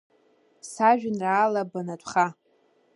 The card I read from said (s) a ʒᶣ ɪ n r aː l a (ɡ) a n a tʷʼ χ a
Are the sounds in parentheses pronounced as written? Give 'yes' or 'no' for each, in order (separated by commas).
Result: yes, no